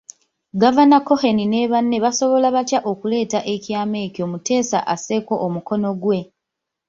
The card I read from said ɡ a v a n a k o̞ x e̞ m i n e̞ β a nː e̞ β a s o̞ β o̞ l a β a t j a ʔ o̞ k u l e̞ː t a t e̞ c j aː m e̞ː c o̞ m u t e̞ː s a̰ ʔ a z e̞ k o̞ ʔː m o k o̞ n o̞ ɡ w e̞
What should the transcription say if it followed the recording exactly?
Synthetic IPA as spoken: ɡ a v a n a k o̞ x e̞ n i n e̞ β a nː e̞ β a s o̞ β o̞ l a β a t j a ʔ o̞ k u l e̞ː t a ʔ e̞ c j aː m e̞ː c o̞ m u t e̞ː s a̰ ʔ a s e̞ k o̞ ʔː m u k o̞ n o̞ ɡ w e̞